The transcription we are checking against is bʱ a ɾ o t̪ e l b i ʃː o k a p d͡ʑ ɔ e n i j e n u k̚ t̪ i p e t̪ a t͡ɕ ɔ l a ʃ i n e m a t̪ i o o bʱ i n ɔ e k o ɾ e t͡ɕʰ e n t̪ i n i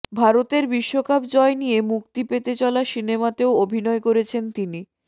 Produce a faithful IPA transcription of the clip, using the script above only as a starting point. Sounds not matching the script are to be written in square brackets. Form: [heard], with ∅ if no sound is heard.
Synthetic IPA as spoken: bʱ a ɾ o t̪ e [ɾ] b i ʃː o k a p d͡ʑ ɔ e n i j e [m] u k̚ t̪ i p e t̪ [e] t͡ɕ ɔ l a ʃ i n e m a t̪ [e] o o bʱ i n ɔ e k o ɾ e t͡ɕʰ e n t̪ i n i